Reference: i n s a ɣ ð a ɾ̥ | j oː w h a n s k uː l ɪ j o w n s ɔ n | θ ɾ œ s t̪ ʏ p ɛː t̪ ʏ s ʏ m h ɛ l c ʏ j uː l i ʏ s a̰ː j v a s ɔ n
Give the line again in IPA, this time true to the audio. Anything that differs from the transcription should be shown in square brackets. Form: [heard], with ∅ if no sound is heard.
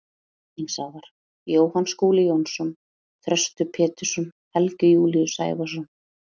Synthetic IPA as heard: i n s a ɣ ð a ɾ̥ | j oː w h a n s k uː l ɪ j o w n s ɔ n | θ ɾ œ s t̪ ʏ [pʰ] ɛː t̪ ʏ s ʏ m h ɛ l c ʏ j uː l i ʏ s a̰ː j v a s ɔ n